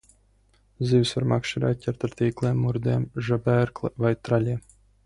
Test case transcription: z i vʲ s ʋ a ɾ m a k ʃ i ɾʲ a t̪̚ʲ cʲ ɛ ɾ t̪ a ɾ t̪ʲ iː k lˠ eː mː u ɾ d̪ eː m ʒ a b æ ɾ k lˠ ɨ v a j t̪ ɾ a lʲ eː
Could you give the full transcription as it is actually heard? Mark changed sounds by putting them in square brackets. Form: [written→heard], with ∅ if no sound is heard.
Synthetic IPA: z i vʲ s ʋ a ɾ m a k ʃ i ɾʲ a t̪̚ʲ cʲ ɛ ɾ t̪ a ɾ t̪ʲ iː k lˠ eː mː u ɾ d̪ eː m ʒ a b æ ɾ k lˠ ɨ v a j t̪ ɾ a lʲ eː

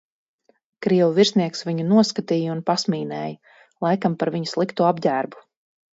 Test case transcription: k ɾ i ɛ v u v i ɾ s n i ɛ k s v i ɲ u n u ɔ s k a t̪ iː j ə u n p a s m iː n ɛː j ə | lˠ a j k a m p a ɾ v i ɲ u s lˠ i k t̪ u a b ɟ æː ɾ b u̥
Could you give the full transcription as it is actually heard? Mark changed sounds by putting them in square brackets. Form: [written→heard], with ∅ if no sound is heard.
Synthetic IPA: k ɾ i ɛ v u v i ɾ s n i ɛ k s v i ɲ u n u ɔ s k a t̪ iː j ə u n p a s m iː n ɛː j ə | lˠ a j k a m p a ɾ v i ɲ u s lˠ i k t̪ u a b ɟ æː ɾ b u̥

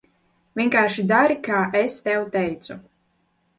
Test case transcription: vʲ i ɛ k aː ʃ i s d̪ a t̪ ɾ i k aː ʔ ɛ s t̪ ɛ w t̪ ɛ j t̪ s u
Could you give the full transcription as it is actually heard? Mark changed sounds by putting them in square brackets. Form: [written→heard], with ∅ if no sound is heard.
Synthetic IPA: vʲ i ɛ k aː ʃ i [s→∅] d̪ a [t̪→∅] ɾ i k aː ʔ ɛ s t̪ ɛ w t̪ ɛ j t̪ s u

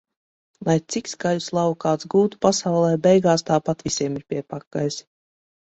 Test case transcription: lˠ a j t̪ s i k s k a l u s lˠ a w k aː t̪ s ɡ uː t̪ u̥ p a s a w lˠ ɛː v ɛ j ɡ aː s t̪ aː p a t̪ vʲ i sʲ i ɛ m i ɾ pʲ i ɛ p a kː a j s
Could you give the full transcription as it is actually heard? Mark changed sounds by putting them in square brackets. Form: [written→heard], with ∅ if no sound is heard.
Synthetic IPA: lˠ a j t̪ s i k s k a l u s lˠ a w k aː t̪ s ɡ uː t̪ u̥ p a s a w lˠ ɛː [v→b] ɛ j ɡ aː s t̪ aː p a t̪ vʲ i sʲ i ɛ m i ɾ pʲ i ɛ p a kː a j s

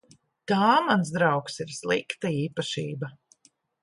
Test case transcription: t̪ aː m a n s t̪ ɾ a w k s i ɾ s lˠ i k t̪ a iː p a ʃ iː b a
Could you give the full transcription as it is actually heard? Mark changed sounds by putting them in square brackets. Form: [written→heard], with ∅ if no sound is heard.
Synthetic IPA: t̪ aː m a n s [t̪→d̪] ɾ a w k s i ɾ s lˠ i k t̪ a iː p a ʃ iː b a

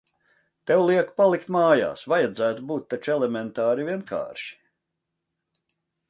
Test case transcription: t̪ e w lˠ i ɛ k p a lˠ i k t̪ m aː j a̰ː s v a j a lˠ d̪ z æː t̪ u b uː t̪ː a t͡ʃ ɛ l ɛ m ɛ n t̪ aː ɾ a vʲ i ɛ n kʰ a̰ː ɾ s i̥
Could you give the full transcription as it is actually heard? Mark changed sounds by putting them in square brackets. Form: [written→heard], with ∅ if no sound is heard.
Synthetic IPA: t̪ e w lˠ i ɛ k p a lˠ i k t̪ m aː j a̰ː s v a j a [lˠ→∅] d̪ z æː t̪ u b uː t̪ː a t͡ʃ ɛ l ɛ m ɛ n t̪ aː ɾ [a→i] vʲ i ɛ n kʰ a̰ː ɾ [s→ʃ] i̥

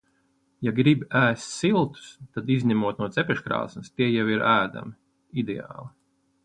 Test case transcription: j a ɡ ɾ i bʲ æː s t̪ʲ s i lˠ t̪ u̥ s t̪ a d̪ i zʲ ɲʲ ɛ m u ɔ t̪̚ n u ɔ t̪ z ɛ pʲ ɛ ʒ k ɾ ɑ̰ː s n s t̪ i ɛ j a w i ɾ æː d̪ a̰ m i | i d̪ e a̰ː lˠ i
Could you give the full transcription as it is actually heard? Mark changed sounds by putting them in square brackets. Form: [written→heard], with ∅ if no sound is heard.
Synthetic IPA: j a ɡ ɾ i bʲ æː s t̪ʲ s i lˠ t̪ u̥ s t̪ a d̪ i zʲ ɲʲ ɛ m u ɔ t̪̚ n u ɔ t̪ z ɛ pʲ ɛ [ʒ→ʃ] k ɾ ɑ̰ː s n s t̪ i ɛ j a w i ɾ æː d̪ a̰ m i | i d̪ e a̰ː lˠ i

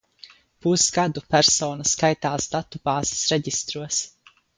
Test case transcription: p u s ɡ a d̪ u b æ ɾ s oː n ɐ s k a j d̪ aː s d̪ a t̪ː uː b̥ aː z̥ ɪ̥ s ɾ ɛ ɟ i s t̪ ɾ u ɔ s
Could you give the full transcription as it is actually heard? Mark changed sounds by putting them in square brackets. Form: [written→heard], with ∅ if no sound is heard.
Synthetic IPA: p u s ɡ a d̪ u [b→p] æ ɾ s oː n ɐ s k a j [d̪→t̪] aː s d̪ a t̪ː [uː→u] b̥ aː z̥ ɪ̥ s ɾ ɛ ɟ i s t̪ ɾ u ɔ s

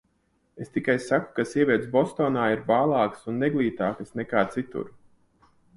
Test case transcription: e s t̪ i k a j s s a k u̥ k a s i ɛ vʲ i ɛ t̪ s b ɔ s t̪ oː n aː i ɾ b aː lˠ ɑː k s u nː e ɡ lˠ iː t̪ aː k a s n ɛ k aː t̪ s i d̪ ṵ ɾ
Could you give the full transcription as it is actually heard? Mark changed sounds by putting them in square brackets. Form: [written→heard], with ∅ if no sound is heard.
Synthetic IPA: e s t̪ i k a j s s a k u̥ k a s i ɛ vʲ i ɛ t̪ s b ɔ s t̪ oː n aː i ɾ b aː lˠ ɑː k s u nː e ɡ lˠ iː t̪ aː k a s n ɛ k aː t̪ s i [d̪→t̪] ṵ ɾ

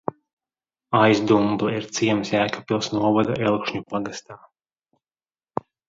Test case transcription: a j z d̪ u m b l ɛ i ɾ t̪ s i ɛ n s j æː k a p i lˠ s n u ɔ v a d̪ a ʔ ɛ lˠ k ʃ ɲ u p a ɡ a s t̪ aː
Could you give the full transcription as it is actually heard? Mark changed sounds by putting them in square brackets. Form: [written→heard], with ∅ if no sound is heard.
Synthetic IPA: a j z d̪ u m b l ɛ i ɾ t̪ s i ɛ [n→m] s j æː k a p i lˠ s n u ɔ v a d̪ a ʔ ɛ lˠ k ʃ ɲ u p a ɡ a s t̪ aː

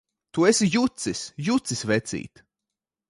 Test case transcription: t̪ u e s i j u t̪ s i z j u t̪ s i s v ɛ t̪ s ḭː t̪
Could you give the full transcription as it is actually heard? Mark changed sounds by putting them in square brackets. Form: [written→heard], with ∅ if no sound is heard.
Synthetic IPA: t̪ u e s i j u t̪ s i [z→s] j u t̪ s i s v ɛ t̪ s ḭː t̪

